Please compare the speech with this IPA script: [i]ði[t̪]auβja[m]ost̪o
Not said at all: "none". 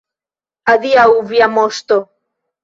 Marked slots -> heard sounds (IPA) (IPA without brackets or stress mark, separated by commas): a, none, m